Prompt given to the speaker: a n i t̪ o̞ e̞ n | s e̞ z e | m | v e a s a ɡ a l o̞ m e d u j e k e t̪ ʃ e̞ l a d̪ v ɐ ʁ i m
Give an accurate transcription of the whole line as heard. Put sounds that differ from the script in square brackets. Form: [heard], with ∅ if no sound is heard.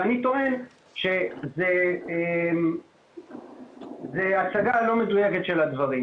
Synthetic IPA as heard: a n i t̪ o̞ e̞ n | [ʃ] e̞ z e | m | [z] e a s a ɡ a l o̞ m e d u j e k e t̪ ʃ e̞ l a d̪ v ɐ ʁ i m